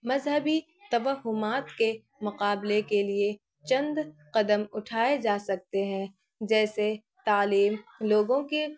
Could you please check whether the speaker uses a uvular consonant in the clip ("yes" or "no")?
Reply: yes